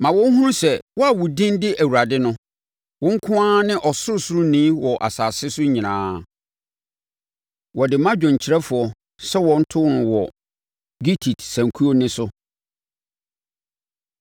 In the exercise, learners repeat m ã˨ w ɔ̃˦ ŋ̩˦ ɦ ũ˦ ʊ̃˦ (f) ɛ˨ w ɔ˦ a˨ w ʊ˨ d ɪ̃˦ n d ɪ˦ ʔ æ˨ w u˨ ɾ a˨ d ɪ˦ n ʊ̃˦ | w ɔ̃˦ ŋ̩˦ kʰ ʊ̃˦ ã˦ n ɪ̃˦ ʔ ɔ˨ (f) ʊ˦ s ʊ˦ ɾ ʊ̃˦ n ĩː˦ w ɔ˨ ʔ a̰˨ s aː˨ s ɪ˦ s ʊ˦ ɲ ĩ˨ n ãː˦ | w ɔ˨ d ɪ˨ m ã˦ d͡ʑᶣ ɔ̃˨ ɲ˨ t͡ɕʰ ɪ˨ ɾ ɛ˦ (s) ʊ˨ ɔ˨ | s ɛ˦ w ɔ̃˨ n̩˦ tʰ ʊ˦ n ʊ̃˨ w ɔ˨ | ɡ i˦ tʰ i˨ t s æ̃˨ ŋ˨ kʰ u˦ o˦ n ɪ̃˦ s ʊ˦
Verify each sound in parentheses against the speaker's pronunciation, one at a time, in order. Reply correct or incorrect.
incorrect: s, incorrect: s, incorrect: f

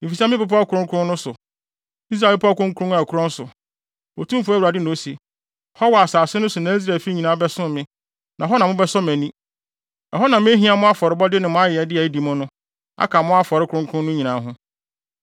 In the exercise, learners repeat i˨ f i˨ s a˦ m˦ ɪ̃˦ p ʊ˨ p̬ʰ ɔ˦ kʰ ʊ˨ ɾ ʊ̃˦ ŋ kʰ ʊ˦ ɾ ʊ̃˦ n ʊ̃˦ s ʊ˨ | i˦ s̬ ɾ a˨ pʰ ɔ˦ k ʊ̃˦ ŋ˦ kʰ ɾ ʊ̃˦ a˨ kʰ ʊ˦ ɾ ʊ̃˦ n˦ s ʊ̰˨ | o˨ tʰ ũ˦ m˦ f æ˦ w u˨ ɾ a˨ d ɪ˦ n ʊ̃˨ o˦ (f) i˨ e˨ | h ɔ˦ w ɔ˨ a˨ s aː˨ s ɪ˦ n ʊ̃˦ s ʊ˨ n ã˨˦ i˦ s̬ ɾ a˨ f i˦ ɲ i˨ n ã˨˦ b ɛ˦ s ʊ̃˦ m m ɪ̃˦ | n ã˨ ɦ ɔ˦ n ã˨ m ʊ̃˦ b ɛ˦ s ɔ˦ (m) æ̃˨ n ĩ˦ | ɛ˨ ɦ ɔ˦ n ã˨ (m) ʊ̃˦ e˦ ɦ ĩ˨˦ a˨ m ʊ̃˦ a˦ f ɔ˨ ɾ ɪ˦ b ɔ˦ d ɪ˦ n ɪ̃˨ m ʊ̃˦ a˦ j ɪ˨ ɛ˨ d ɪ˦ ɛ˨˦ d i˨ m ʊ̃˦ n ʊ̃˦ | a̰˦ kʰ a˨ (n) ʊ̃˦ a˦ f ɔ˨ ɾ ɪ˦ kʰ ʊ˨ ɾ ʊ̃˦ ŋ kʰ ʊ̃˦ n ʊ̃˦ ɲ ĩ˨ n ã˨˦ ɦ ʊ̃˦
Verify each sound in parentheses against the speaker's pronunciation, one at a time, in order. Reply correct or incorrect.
incorrect: s, correct, correct, incorrect: m

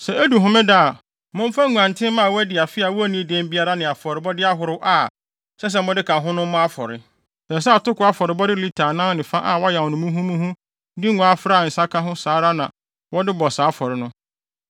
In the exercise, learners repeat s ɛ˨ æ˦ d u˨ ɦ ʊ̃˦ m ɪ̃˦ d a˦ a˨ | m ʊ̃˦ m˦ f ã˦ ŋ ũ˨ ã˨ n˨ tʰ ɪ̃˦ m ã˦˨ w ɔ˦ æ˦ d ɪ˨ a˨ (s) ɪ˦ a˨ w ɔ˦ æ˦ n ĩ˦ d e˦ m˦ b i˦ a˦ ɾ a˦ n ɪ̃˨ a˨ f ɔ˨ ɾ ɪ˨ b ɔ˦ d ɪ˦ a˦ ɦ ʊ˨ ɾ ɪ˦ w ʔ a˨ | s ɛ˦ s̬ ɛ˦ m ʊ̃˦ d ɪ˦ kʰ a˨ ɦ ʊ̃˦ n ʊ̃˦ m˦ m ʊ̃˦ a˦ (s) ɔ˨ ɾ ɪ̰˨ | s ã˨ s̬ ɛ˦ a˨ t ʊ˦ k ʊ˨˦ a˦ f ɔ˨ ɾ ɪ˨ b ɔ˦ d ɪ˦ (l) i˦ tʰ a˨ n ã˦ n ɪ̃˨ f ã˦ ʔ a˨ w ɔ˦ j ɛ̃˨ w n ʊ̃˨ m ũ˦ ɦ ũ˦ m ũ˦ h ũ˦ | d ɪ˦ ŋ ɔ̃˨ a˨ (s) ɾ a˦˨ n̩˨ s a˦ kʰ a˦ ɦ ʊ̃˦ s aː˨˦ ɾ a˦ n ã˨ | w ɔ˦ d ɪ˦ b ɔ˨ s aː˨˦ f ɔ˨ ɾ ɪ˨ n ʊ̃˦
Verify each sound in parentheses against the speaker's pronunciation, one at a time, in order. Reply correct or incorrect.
incorrect: f, incorrect: f, correct, incorrect: f

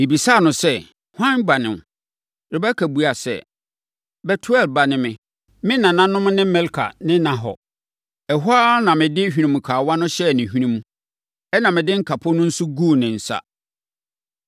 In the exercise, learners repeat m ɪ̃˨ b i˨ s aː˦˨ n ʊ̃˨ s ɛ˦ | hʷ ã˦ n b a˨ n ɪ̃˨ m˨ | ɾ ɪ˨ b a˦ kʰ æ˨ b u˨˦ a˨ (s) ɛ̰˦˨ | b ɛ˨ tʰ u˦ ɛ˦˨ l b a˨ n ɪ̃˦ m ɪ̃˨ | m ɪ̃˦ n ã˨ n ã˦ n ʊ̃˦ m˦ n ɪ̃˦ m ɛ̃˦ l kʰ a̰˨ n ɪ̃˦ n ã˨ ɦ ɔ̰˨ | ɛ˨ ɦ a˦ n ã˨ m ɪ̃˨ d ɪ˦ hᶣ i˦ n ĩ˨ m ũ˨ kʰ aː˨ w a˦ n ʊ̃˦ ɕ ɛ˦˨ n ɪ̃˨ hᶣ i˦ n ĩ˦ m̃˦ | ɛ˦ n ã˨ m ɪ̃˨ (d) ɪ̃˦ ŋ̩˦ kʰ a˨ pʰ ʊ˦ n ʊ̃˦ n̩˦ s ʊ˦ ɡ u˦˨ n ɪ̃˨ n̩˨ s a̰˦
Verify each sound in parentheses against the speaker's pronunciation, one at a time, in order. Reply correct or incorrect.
correct, correct

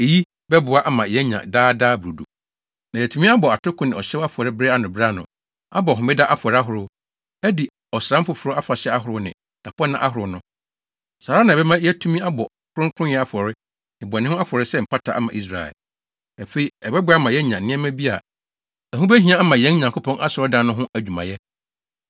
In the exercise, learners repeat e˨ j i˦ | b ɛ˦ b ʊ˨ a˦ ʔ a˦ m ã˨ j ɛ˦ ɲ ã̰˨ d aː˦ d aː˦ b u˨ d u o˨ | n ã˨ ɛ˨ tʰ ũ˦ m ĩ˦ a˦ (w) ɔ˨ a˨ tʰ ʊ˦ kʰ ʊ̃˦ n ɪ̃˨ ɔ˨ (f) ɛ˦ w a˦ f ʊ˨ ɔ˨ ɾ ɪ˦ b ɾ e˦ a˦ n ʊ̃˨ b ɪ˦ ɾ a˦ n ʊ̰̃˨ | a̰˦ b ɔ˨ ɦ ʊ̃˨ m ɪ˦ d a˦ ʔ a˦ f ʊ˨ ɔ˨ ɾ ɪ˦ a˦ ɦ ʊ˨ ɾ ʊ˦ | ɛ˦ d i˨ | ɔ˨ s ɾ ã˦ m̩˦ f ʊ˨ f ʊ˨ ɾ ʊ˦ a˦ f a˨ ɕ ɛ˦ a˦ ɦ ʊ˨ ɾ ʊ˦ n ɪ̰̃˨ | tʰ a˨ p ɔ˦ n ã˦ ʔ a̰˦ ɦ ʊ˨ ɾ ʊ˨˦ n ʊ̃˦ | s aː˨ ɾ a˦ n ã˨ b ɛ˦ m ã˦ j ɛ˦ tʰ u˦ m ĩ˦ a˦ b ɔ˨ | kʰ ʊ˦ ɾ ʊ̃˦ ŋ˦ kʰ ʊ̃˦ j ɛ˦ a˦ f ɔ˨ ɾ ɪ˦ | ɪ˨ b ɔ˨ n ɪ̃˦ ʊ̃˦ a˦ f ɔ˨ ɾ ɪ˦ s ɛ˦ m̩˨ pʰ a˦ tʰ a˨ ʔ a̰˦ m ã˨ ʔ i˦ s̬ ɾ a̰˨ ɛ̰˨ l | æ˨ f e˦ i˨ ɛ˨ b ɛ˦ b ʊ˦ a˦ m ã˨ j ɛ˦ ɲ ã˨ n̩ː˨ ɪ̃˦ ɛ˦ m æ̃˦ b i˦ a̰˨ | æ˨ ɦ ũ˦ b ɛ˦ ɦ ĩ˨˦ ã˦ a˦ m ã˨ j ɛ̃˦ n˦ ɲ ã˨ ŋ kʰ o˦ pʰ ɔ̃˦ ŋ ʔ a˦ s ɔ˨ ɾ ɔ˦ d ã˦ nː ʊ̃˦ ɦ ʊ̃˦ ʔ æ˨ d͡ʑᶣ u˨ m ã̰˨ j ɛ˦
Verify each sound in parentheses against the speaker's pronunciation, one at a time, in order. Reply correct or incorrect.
incorrect: b, incorrect: ɕ

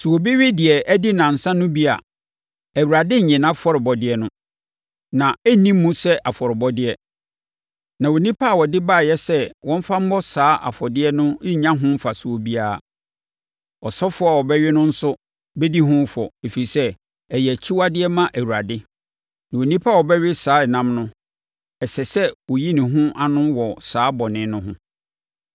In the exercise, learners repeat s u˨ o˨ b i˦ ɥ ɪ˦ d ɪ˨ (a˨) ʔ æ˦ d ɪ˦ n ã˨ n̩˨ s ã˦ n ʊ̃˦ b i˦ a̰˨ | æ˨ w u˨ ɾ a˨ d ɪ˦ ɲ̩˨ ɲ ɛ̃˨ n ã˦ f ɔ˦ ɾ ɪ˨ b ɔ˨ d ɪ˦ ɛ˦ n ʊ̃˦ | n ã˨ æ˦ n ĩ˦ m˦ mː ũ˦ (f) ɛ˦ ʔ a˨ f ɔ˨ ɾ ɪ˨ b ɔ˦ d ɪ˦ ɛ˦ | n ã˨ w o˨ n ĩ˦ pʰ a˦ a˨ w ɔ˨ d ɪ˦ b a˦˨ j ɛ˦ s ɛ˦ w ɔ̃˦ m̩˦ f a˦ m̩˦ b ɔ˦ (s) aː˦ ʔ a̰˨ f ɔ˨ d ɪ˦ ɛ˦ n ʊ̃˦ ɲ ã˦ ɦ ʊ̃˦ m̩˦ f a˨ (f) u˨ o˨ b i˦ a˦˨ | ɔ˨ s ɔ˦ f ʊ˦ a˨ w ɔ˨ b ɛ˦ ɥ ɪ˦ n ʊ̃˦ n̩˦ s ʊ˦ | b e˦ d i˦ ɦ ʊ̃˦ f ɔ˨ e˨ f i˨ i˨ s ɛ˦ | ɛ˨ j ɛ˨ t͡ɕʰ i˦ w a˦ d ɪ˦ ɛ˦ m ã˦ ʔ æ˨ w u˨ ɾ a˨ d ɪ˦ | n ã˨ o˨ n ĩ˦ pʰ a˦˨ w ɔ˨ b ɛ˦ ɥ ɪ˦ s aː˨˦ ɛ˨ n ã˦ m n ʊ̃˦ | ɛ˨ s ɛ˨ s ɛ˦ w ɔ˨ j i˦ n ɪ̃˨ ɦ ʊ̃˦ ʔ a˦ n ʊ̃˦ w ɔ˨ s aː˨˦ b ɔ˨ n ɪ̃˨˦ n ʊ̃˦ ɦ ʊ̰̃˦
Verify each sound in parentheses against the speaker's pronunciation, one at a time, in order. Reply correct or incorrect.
incorrect: ɛ˨, incorrect: s, correct, incorrect: s

